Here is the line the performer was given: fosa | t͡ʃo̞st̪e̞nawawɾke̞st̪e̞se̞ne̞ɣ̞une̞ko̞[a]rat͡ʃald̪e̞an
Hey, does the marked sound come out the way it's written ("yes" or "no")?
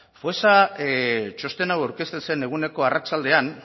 yes